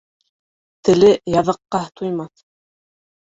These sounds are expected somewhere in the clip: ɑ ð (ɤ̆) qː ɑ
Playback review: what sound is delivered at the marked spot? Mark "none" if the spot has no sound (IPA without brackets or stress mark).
ɤ̆